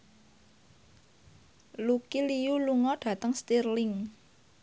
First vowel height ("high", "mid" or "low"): high